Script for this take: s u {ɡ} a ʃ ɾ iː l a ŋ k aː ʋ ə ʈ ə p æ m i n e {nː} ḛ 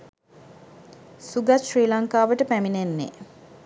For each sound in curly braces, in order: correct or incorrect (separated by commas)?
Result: correct, correct